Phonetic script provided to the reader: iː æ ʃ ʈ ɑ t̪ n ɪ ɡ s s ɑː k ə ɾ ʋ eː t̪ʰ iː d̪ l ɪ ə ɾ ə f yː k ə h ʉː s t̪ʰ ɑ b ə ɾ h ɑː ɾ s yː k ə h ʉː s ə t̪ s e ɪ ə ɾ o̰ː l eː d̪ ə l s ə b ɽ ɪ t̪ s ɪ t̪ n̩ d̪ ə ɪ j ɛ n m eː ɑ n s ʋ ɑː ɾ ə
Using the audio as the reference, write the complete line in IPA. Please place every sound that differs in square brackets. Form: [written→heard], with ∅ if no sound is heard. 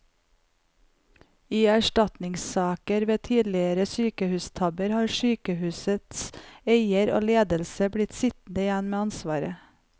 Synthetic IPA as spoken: iː æ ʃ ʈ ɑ t̪ n ɪ [ɡ→ŋ] s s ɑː k ə ɾ ʋ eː t̪ʰ iː d̪ l ɪ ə ɾ ə [f→s] yː k ə h ʉː s t̪ʰ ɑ b ə ɾ h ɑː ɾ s yː k ə h ʉː s ə t̪ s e ɪ ə ɾ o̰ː l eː d̪ ə l s ə b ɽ ɪ t̪ s ɪ t̪ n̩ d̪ ə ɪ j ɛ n m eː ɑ n s ʋ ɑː ɾ ə